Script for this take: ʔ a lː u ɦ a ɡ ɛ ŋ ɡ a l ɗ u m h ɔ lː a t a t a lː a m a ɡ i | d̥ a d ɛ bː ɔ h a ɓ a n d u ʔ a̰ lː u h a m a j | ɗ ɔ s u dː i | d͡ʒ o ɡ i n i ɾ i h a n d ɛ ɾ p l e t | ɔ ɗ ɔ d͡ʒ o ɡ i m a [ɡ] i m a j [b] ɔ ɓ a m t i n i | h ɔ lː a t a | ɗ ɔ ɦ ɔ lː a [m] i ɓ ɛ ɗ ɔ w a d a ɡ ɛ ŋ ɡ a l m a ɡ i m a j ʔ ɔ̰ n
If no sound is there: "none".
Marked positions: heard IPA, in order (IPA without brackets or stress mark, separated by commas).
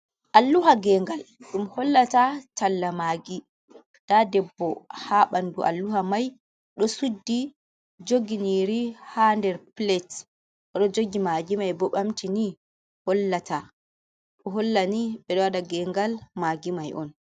ɡ, b, n